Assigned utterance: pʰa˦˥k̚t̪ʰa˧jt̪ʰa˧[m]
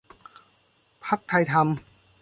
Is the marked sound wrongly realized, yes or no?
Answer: no